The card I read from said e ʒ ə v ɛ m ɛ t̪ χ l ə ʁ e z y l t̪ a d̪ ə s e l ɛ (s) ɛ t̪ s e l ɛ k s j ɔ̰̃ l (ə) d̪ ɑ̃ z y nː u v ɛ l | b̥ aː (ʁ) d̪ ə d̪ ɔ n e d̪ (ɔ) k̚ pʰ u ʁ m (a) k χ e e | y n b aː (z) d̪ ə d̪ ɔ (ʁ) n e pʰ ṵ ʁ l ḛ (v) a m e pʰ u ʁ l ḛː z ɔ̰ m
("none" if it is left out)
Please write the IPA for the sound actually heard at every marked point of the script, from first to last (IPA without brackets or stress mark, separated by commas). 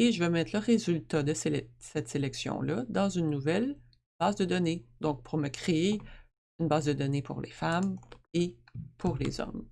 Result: s, ʌ, z, ɔ̃, ə, z, none, f